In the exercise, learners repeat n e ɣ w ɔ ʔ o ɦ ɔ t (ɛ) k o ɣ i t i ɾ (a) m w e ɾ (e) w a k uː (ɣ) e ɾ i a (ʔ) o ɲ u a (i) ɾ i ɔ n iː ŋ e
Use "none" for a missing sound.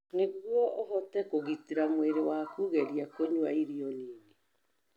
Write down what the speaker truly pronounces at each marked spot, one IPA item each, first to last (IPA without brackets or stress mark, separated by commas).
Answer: ɛ, a, e, ɣ, k, i